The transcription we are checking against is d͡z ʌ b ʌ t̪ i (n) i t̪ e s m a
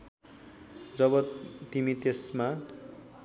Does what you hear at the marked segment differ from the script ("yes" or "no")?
yes